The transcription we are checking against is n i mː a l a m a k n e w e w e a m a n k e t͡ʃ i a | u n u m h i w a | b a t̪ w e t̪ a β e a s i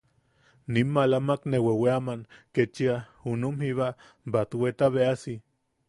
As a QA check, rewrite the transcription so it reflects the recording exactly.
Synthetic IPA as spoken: n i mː a l a m a k n e w e w e a m a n k e t͡ʃ i a | u n u m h i β a | b a t̪ w e t̪ a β e a s i